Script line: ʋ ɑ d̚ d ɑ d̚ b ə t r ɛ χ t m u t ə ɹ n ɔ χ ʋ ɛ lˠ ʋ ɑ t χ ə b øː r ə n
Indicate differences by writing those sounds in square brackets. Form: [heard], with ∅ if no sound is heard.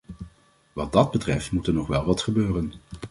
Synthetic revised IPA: ʋ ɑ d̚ d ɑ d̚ b ə t r ɛ [f] t m u t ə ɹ n ɔ χ ʋ ɛ lˠ ʋ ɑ t χ ə b øː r ə n

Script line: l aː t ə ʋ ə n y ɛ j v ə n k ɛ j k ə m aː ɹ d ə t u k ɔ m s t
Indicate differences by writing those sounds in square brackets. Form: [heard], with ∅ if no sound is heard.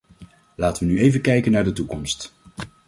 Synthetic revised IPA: l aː t ə ʋ ə n y [e] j v ə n k ɛ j k ə [n] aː ɹ d ə t u k ɔ m s t

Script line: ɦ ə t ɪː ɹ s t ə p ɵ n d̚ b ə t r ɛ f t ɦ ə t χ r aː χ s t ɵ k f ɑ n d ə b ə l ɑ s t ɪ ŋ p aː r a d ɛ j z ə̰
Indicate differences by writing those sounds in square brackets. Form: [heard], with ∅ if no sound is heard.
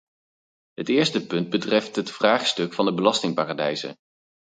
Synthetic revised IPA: ɦ ə t ɪː ɹ s t ə p ɵ n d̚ b ə t r ɛ f t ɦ ə t [f] r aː χ s t ɵ k f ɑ n d ə b ə l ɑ s t ɪ ŋ p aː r a d ɛ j z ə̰

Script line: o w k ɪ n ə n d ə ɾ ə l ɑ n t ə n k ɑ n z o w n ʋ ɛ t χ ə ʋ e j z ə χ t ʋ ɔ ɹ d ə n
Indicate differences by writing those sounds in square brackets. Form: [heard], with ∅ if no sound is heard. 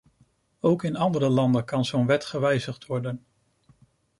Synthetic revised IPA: o w k ɪ n [ɑ] n d ə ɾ ə l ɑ n [d] ə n k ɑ n z o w n ʋ ɛ t χ ə ʋ [ɛ] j z ə χ t ʋ ɔ ɹ d ə n

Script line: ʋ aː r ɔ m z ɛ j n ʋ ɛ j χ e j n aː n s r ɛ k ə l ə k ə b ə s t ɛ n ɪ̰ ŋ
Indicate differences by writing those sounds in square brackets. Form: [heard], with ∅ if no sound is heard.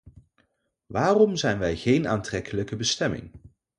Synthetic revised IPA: ʋ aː r ɔ m z ɛ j n ʋ ɛ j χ e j n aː n [t] r ɛ k ə l ə k ə b ə s t ɛ [m] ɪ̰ ŋ

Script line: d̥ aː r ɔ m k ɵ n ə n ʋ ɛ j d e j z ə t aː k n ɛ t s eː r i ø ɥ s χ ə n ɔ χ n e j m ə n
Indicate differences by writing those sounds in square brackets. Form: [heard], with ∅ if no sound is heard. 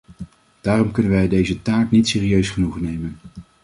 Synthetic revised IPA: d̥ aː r ɔ m k ɵ n ə n ʋ ɛ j d e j z ə t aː k n [i] t s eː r i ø ɥ s χ ə n [u] χ n e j m ə n

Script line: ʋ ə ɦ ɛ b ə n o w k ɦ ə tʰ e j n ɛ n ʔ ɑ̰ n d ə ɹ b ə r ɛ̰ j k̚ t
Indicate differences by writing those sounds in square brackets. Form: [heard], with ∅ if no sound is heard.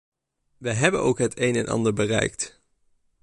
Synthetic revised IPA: ʋ ə ɦ ɛ b ə n o w k ɦ ə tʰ e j n ɛ n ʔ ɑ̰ n d ə ɹ b ə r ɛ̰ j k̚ t

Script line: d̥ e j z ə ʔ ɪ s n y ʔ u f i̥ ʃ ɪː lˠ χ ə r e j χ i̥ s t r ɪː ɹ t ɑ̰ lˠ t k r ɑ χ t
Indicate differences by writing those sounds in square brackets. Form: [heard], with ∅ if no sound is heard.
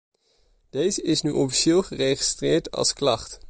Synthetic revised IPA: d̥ e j z ə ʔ ɪ s n y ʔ [ɔ] f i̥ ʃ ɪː lˠ χ ə r e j χ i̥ s t r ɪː ɹ t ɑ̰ lˠ [s] k [l] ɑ χ t

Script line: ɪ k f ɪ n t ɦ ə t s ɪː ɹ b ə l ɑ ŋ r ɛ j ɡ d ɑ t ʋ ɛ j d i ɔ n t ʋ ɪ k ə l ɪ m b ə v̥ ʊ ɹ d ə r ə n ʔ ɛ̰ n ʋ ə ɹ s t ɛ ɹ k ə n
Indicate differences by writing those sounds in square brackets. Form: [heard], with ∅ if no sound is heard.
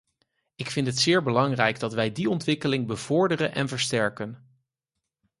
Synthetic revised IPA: ɪ k f ɪ n t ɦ ə t s ɪː ɹ b ə l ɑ ŋ r ɛ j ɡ d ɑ t ʋ ɛ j d i ɔ n t ʋ ɪ k ə l ɪ [ŋ] b ə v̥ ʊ ɹ d ə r ə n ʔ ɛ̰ n [v] ə ɹ s t ɛ ɹ k ə n

